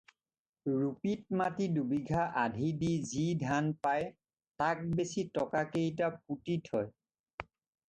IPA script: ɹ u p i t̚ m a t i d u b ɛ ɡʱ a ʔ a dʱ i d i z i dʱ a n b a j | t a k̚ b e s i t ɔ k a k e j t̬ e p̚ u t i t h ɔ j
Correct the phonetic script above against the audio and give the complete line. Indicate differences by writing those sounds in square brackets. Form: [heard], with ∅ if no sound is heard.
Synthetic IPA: ɹ u p i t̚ m a t i d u b [i] ɡʱ a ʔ a dʱ i d i z i dʱ a n [p] a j | t a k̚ b e s i t ɔ k a k e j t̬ [a] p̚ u t i t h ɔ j